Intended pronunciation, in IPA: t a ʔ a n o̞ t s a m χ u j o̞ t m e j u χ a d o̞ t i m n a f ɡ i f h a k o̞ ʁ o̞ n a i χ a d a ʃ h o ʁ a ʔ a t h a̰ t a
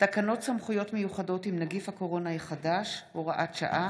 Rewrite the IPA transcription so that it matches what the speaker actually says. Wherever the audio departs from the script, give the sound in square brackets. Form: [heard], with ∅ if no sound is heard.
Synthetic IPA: t a [k] a n o̞ t s a m χ u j o̞ t m e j u χ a d o̞ t i m n a [∅] ɡ i f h a k o̞ ʁ o̞ n a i χ a d a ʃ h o ʁ a ʔ a t [ʃ] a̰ [ʔ] a